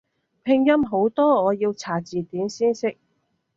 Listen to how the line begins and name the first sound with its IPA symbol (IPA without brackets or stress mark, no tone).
pʰ